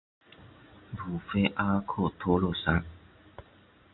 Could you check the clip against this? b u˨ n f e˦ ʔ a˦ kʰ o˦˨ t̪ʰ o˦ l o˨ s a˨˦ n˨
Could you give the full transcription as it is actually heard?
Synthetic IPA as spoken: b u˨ f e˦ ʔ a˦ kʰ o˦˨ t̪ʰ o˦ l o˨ s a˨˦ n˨